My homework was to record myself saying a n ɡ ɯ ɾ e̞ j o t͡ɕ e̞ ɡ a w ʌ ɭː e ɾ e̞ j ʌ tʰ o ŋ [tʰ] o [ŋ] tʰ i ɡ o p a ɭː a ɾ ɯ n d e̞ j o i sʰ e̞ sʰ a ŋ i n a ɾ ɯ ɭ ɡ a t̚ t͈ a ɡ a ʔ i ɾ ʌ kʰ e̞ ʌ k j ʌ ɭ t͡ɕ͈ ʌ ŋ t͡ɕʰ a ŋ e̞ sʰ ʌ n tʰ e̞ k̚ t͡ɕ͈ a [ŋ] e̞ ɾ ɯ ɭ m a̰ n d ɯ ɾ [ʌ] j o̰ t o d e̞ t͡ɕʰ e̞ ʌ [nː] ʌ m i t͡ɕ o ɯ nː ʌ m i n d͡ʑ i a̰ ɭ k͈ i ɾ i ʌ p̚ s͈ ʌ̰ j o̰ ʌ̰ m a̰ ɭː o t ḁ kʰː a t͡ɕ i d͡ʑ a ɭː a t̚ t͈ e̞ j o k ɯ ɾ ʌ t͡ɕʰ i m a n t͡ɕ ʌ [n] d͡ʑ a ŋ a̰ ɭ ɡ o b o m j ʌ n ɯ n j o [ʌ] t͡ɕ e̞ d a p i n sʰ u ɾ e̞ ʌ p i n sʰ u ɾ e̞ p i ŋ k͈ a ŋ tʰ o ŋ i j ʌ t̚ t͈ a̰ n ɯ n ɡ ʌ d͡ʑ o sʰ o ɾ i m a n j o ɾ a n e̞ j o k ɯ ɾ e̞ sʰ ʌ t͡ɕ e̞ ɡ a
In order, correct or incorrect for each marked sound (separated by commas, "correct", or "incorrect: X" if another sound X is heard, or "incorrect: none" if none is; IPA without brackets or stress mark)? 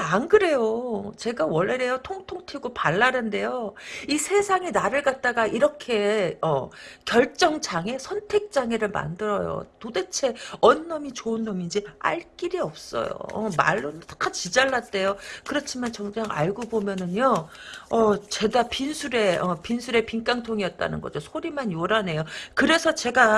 correct, correct, correct, correct, correct, incorrect: ŋ, correct